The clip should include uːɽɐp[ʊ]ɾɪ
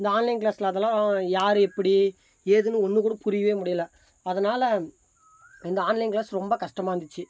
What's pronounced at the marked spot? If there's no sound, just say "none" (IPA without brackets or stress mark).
ʊ